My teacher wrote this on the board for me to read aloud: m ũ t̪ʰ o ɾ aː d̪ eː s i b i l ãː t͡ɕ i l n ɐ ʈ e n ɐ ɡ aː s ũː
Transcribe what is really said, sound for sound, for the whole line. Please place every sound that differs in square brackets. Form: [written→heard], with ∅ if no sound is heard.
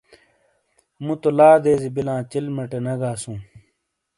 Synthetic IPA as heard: m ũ [t̪ʰ→t̪] o [ɾ→l] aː d̪ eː [s→z] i b i l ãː t͡ɕ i l [n→m] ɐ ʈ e n ɐ ɡ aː s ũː